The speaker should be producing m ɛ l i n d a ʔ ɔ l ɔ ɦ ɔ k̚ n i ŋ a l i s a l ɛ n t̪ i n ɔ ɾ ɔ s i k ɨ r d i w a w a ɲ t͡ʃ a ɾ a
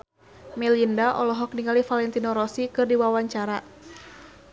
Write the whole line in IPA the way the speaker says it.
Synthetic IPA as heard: m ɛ l i n d a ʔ ɔ l ɔ ɦ ɔ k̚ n i ŋ a l i f a l ɛ n t̪ i n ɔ ɾ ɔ s i k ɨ r d i w a w a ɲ t͡ʃ a ɾ a